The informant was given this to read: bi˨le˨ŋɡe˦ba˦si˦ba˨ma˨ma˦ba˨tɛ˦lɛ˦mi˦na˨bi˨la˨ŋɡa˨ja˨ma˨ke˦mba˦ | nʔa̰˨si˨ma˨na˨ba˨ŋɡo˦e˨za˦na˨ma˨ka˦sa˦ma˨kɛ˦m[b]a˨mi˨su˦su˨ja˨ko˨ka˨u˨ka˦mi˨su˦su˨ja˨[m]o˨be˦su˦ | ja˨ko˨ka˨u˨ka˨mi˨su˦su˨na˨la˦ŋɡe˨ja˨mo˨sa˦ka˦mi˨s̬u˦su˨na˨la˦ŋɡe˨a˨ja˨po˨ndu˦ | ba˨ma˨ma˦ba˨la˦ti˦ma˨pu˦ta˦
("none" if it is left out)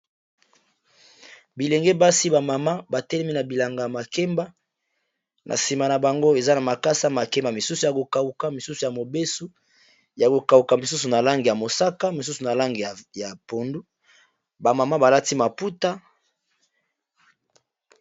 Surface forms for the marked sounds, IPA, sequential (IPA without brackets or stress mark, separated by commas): b, m